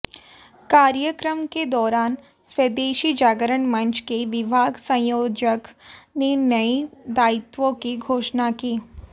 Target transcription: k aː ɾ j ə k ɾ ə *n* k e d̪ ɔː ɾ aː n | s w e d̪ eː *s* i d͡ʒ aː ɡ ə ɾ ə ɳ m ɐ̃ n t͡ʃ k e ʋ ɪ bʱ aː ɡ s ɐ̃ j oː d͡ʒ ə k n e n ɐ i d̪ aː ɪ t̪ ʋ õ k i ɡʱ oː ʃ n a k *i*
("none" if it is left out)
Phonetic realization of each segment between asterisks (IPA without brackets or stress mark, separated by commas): m, ʃ, iː